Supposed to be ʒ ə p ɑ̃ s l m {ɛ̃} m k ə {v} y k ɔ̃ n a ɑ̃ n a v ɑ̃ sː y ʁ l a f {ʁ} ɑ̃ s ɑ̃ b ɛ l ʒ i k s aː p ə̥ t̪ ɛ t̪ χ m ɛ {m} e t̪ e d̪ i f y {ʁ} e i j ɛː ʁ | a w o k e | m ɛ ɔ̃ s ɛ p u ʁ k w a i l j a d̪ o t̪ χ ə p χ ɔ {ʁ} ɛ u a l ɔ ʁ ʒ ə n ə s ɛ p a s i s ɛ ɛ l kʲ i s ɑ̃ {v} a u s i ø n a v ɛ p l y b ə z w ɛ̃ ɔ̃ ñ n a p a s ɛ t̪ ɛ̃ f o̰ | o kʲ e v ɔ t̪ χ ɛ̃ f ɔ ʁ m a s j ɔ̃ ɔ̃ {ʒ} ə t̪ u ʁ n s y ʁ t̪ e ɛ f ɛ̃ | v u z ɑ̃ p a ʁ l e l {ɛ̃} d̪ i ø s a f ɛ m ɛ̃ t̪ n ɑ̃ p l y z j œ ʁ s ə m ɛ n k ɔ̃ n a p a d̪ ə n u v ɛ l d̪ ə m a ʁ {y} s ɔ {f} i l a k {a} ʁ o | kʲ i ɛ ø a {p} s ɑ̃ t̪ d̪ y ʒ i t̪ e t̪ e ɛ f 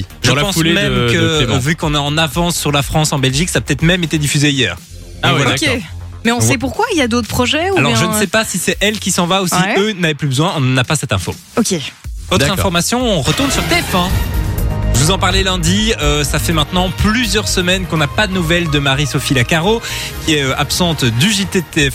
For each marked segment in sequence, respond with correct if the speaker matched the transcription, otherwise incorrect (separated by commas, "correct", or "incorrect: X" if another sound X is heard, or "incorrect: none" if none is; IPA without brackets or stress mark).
incorrect: ɛ, correct, incorrect: χ, correct, incorrect: z, incorrect: ʒ, correct, incorrect: ʁ, correct, incorrect: i, correct, correct, correct